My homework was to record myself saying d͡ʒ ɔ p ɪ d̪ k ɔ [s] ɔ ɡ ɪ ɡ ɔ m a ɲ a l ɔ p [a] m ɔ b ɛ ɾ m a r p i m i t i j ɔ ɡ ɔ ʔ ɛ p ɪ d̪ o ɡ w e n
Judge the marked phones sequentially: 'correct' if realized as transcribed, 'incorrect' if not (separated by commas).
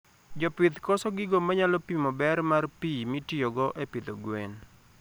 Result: correct, incorrect